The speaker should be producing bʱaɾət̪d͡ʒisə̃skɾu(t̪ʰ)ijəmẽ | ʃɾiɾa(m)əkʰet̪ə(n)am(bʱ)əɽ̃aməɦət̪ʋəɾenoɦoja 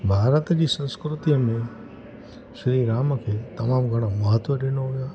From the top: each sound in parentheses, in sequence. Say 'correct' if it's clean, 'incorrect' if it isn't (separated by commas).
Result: incorrect, correct, incorrect, incorrect